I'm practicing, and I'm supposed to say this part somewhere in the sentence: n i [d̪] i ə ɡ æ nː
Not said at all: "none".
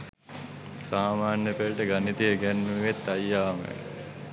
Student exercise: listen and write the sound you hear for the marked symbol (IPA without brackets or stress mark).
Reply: t̪